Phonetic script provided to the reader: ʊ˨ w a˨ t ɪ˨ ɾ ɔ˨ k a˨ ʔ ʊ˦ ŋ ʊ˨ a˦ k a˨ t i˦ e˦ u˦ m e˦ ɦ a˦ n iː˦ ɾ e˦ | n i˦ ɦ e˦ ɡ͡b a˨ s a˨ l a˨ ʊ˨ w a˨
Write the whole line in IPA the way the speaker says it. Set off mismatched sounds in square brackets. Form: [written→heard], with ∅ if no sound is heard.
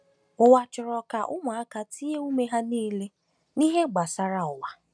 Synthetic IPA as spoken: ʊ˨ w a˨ [t→t͡ʃ] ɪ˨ ɾ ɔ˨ k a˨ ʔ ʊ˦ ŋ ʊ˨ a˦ k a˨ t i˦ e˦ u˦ m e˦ ɦ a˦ n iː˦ [ɾ→l] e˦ | n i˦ ɦ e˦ ɡ͡b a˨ s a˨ [l→ɾ] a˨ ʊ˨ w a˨